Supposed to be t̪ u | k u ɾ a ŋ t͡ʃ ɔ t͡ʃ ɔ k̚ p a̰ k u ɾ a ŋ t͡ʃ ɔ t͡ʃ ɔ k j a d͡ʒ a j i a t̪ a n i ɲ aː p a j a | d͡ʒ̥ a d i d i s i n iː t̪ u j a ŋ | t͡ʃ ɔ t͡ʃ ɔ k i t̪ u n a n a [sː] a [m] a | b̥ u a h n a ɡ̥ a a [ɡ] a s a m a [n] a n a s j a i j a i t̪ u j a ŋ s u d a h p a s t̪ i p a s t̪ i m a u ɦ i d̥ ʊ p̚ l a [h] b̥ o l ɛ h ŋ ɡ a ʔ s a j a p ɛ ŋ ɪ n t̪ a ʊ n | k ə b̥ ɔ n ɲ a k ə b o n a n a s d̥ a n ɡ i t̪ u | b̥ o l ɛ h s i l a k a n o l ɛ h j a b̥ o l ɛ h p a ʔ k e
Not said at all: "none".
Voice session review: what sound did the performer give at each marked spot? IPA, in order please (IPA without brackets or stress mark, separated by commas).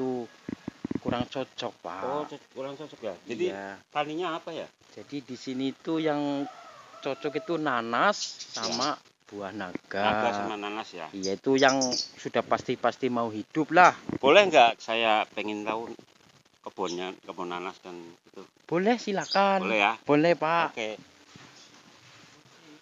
sː, m, ɡ, n, h